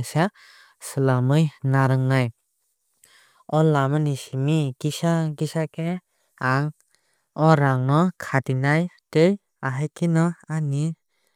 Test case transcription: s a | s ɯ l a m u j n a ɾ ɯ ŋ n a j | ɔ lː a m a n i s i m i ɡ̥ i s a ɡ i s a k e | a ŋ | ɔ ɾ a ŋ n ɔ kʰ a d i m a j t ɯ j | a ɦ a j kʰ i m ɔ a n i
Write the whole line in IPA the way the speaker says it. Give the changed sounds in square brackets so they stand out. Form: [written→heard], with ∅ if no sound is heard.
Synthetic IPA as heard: s a | s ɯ l a m [u→ɯ] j n a ɾ ɯ ŋ n a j | ɔ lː a m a n i s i m i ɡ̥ i s a ɡ i s a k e | a ŋ | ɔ ɾ a ŋ n ɔ kʰ a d i [m→n] a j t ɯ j | a ɦ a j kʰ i [m→n] ɔ a n i